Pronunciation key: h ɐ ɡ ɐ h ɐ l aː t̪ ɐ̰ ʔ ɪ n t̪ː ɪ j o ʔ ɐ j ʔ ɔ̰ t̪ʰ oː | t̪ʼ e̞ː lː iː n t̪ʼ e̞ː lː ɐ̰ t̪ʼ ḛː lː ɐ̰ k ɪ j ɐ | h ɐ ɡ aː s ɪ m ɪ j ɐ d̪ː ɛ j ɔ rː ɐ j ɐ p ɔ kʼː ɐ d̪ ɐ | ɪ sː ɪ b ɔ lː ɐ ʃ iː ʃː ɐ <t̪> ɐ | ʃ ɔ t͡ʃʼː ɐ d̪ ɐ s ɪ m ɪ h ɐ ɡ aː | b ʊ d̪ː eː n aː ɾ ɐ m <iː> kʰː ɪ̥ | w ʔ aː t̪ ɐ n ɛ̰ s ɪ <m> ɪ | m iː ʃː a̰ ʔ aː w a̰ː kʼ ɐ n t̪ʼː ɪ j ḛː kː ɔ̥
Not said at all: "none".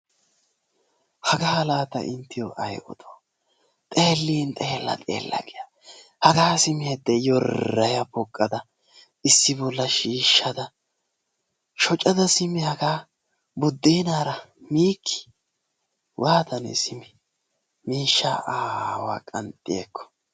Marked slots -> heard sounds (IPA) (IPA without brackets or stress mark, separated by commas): d̪, iː, m